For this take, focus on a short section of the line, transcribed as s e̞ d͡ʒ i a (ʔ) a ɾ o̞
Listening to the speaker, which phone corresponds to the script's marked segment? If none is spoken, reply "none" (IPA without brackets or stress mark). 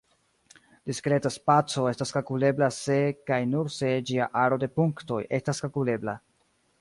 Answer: ʔ